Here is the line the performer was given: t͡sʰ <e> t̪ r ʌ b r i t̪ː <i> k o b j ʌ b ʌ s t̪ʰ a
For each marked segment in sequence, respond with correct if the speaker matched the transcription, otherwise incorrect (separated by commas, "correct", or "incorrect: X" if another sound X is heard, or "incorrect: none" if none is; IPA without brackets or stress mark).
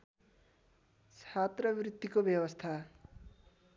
incorrect: a, correct